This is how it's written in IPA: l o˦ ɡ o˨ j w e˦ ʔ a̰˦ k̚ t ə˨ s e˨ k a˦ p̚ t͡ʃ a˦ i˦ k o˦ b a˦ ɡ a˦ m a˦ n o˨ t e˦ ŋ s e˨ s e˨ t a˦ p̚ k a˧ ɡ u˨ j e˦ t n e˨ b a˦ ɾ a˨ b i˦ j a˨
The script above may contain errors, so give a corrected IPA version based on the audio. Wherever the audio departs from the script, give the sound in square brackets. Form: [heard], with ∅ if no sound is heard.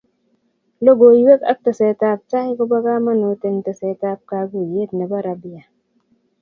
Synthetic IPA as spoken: l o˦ ɡ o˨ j w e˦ [k] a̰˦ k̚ t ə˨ s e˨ [t] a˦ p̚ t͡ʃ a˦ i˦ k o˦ b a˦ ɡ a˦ m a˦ n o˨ t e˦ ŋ [t] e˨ s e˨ t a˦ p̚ k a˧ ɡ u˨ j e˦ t n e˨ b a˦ ɾ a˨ b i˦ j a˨